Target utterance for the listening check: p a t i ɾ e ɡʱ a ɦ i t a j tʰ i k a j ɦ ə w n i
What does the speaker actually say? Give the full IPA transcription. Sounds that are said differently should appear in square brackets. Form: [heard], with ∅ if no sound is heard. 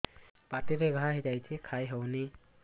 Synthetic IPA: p a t i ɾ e ɡʱ a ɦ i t a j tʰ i [kʰ] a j ɦ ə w n i